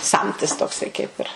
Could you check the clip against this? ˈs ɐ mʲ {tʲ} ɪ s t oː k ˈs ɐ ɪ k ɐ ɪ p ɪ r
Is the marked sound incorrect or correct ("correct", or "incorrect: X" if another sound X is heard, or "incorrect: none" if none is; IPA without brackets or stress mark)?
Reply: correct